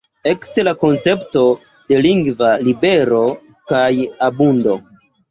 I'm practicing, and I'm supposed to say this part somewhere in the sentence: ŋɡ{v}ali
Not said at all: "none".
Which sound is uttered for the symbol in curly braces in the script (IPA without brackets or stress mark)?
v